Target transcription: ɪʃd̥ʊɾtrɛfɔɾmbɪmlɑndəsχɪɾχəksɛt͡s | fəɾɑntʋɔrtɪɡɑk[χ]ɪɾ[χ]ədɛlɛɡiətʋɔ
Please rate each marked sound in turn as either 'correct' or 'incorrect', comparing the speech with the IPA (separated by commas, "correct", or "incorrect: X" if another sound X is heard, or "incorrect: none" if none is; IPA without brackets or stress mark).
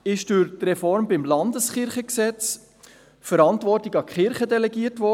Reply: correct, correct